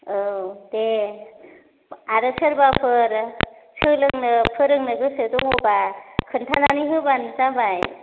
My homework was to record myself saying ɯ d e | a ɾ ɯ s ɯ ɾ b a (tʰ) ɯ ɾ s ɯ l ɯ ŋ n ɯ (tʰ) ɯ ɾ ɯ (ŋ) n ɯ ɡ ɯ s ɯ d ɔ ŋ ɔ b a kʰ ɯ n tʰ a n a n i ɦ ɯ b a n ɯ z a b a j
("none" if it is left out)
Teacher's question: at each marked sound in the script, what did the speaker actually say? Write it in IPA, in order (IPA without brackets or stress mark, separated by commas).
pʰ, pʰ, ŋ